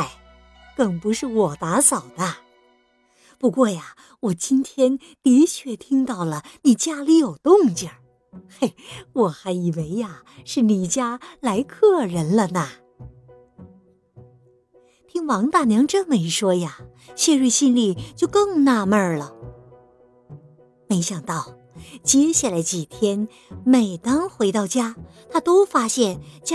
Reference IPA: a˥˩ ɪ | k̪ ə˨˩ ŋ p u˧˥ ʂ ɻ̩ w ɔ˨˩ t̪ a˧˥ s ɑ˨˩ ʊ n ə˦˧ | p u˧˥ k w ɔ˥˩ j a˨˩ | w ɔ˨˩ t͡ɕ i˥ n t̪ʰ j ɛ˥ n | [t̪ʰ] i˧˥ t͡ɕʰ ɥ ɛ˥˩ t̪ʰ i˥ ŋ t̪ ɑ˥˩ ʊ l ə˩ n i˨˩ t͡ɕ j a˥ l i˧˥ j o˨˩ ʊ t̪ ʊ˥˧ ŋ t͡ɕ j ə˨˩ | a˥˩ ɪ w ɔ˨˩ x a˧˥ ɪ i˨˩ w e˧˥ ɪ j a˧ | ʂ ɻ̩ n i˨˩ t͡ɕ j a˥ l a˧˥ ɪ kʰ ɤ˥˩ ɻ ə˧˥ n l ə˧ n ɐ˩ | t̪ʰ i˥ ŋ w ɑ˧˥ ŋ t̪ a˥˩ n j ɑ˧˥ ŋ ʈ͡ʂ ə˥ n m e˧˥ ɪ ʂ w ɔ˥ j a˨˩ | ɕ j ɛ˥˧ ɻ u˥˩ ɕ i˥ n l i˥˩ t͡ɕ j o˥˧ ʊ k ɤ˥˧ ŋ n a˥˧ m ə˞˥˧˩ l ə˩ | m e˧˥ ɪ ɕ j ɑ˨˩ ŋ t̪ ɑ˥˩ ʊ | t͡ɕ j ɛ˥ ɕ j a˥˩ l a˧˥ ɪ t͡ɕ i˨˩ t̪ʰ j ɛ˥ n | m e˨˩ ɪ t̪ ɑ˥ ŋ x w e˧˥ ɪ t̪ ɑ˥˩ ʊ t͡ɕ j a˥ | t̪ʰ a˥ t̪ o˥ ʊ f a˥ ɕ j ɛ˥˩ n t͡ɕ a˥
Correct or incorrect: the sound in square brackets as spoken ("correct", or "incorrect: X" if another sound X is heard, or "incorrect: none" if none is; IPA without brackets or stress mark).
incorrect: t̪